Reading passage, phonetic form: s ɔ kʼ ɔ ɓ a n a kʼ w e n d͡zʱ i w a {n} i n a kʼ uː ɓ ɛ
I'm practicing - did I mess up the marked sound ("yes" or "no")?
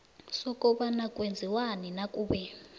no